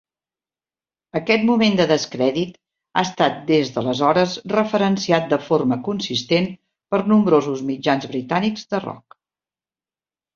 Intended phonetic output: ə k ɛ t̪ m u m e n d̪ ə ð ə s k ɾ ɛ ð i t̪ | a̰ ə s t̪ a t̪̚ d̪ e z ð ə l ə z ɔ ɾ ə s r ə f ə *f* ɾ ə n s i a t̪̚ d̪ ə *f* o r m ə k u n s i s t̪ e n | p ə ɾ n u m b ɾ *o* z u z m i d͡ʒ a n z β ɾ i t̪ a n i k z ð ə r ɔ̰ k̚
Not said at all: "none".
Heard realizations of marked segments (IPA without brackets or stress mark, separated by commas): none, f, o